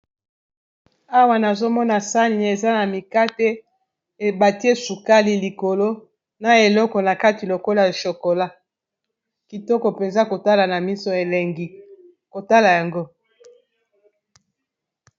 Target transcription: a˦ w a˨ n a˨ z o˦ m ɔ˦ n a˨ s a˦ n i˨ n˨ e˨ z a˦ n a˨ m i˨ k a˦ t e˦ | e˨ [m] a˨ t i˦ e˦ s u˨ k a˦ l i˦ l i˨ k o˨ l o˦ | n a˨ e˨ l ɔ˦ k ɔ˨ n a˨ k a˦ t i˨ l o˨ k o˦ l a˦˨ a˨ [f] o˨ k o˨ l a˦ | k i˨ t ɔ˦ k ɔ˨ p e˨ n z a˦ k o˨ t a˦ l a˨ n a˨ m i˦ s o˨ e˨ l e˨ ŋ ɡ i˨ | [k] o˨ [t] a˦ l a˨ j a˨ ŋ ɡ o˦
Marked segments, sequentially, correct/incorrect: incorrect: b, incorrect: ʃ, correct, correct

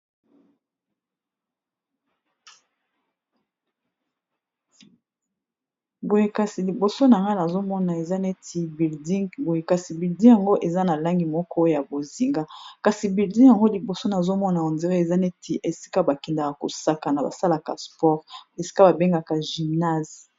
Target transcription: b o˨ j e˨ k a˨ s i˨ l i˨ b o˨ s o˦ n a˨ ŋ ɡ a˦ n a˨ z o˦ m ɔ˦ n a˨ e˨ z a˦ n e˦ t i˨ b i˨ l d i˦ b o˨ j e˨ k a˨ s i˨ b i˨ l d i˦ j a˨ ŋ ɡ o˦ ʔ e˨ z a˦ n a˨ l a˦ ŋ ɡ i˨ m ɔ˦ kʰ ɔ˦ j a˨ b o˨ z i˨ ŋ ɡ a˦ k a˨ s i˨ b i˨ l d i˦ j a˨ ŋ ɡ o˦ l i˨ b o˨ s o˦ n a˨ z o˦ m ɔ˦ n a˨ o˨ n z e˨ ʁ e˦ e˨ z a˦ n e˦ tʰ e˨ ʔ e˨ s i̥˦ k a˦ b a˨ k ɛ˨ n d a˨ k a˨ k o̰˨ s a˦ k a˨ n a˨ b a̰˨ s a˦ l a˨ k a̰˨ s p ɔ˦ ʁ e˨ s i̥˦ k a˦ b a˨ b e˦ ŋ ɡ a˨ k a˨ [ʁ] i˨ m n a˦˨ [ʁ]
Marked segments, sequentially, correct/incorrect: incorrect: ʒ, incorrect: z

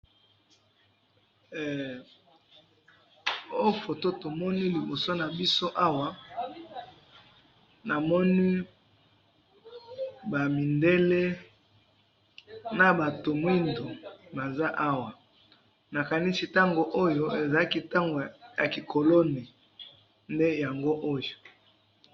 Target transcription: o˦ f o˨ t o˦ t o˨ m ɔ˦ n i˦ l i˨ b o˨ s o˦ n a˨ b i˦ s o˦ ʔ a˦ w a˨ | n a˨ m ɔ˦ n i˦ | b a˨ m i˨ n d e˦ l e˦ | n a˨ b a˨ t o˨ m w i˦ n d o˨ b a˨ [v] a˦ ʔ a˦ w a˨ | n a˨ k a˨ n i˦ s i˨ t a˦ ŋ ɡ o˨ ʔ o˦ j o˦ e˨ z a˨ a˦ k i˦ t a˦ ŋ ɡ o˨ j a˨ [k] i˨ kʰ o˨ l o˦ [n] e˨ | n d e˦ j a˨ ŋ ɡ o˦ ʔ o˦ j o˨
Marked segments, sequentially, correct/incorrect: incorrect: z, correct, correct

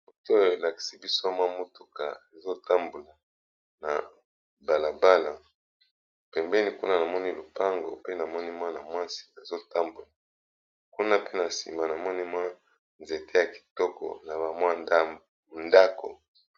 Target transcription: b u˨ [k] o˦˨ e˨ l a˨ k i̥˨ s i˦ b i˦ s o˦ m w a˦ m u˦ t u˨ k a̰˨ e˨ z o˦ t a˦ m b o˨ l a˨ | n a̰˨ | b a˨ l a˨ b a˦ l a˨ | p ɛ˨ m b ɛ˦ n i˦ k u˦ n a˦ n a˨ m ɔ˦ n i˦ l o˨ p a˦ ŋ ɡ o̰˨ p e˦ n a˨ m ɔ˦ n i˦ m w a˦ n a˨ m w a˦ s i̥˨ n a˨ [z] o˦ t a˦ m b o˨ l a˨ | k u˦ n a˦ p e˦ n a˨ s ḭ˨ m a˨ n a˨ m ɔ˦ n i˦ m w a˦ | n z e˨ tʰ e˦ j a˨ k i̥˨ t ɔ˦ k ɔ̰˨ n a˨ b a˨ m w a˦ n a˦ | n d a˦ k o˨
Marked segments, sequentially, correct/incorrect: incorrect: t, correct

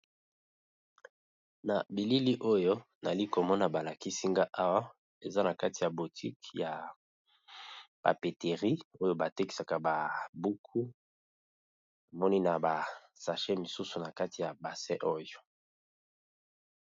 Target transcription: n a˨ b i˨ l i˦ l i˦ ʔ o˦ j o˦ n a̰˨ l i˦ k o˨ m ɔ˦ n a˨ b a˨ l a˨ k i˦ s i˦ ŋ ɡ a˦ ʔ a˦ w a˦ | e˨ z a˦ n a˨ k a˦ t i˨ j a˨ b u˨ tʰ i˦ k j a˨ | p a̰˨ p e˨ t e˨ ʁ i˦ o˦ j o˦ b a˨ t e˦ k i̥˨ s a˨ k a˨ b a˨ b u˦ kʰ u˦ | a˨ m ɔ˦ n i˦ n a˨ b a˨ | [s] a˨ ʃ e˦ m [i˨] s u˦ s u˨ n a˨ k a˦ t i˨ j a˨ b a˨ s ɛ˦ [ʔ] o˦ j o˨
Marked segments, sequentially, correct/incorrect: correct, correct, correct

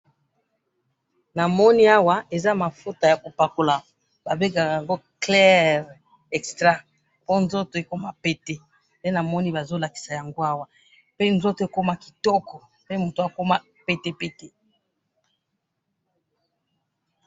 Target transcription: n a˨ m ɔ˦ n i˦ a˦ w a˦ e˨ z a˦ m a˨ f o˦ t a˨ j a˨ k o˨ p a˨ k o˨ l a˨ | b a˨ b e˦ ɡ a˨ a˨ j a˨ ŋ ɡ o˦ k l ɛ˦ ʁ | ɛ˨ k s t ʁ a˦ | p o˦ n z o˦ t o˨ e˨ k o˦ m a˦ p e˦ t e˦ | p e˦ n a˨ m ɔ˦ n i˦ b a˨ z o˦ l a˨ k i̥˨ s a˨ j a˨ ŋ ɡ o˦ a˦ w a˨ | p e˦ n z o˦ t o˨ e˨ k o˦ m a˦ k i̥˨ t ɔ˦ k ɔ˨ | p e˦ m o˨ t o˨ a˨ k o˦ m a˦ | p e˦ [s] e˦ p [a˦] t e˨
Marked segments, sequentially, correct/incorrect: incorrect: t, incorrect: e˦

